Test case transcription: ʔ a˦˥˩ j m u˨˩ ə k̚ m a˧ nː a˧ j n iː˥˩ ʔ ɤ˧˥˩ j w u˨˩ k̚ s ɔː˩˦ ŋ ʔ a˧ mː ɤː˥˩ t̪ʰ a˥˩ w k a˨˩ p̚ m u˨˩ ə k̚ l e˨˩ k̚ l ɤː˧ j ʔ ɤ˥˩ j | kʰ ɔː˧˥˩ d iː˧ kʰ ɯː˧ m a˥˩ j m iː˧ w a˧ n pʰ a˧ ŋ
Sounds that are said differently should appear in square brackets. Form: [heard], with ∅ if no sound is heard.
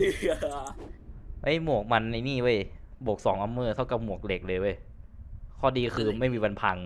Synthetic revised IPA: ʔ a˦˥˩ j m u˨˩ ə k̚ m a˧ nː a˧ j n iː˥˩ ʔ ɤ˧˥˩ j [b] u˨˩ k̚ s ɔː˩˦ ŋ ʔ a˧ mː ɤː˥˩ t̪ʰ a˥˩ w k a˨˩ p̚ m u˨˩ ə k̚ l e˨˩ k̚ l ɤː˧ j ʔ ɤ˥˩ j | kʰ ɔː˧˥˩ d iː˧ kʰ ɯː˧ m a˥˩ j m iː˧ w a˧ n pʰ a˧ ŋ

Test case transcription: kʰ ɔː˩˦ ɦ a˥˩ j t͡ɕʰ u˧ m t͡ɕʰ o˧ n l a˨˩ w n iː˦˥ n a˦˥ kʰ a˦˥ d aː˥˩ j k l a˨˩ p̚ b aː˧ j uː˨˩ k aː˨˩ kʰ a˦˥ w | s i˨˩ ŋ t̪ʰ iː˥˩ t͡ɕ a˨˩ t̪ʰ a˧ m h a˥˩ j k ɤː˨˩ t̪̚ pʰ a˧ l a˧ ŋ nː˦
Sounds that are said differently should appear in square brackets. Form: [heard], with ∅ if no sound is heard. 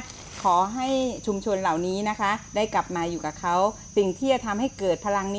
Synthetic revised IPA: kʰ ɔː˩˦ ɦ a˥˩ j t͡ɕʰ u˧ m t͡ɕʰ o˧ n l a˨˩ w n iː˦˥ n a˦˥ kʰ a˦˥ d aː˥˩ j k l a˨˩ p̚ [m] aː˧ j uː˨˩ k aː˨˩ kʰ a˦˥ w | s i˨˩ ŋ t̪ʰ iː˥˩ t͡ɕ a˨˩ t̪ʰ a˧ m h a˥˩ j k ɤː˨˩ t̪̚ pʰ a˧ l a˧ ŋ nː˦

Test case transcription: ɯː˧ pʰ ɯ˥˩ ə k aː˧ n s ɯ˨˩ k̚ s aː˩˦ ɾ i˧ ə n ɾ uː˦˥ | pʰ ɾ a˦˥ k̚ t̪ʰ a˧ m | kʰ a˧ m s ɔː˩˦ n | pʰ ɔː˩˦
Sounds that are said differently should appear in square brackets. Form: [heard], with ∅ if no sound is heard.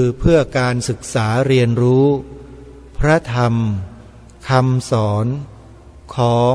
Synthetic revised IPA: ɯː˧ pʰ ɯ˥˩ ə k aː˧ n s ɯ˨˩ k̚ s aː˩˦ ɾ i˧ ə n ɾ uː˦˥ | pʰ ɾ a˦˥ [∅] t̪ʰ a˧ m | kʰ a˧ m s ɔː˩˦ n | [kʰ] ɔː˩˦

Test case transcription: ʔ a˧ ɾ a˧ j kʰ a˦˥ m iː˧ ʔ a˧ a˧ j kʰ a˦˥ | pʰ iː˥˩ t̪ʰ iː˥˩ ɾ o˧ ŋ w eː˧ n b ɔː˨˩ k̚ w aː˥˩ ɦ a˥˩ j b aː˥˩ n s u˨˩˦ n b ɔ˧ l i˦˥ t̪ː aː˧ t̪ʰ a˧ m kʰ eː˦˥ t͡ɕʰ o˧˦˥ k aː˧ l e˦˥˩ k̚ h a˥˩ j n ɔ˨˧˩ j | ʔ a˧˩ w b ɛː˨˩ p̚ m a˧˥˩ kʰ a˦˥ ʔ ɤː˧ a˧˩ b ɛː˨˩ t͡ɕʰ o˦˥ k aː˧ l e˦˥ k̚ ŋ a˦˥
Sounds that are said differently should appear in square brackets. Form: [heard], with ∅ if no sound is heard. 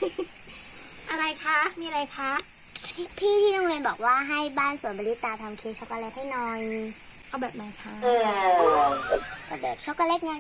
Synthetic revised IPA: ʔ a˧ ɾ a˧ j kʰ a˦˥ m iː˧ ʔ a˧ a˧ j kʰ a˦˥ | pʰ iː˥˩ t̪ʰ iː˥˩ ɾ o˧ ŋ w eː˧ n b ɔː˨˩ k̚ w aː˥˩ ɦ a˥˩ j b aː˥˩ n s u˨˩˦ n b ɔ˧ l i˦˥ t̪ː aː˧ t̪ʰ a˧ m kʰ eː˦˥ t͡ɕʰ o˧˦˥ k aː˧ l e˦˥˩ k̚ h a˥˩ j n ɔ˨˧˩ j | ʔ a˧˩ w b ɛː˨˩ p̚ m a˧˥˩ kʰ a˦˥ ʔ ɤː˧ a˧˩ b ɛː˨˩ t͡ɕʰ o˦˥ k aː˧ l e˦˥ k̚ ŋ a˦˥

